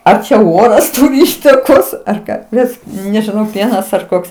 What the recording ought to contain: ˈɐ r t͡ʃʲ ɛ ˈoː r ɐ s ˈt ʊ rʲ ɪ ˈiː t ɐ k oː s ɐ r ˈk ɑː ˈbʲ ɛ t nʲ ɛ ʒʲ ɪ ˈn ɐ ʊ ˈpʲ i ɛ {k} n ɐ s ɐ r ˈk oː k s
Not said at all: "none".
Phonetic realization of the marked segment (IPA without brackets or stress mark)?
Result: none